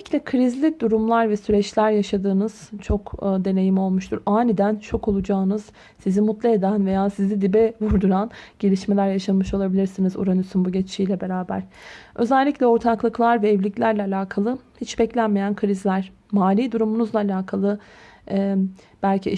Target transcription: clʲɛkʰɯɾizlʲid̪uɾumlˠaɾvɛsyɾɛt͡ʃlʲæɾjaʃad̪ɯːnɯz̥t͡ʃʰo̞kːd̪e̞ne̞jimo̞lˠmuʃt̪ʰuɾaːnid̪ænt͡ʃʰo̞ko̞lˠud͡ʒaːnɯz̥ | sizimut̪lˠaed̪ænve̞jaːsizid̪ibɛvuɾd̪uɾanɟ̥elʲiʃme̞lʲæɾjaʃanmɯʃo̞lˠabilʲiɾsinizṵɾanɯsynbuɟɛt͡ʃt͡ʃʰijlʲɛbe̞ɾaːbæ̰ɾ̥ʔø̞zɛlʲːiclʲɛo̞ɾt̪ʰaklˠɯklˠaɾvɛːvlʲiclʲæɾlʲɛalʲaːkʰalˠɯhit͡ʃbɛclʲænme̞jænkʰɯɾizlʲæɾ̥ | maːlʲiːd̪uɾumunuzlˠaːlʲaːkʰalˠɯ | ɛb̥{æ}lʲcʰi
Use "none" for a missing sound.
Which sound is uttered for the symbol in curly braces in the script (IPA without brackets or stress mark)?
æ